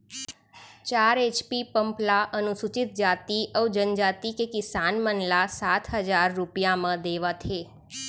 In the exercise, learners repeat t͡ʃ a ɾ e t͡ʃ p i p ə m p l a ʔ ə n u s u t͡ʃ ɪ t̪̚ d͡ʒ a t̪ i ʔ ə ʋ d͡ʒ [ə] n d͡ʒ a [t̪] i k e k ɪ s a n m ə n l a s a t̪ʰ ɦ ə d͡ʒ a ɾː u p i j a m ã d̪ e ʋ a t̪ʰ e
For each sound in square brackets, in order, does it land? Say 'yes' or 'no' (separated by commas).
yes, yes